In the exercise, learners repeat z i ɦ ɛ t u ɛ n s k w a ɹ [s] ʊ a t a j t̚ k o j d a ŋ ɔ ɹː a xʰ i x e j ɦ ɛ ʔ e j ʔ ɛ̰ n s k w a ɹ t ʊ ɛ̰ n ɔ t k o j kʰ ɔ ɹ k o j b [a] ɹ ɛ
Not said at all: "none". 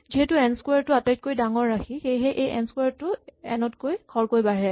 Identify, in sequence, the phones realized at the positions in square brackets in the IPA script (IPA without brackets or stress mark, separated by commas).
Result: t, a